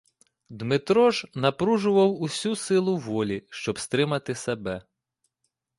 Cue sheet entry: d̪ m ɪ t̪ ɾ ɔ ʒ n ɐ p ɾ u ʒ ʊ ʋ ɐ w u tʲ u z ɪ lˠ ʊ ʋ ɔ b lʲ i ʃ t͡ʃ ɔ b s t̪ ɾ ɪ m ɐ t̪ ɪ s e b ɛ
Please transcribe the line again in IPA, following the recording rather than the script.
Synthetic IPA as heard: d̪ m ɪ t̪ ɾ ɔ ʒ n ɐ p ɾ u ʒ ʊ ʋ ɐ w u sʲ u s ɪ lˠ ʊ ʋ ɔ lʲ i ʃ t͡ʃ ɔ b s t̪ ɾ ɪ m ɐ t̪ ɪ s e b ɛ